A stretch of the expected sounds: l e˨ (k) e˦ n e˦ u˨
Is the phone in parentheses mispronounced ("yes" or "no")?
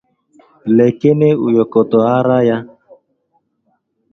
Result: no